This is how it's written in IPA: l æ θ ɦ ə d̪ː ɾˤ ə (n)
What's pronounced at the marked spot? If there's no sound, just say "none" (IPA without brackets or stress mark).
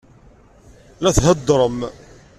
m